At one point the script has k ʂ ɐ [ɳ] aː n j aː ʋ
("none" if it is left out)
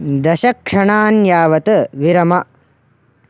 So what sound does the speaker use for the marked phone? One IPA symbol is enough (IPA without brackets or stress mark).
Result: ɳ